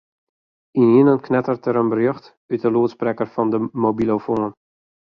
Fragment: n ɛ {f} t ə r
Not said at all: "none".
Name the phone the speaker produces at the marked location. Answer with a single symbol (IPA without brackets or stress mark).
none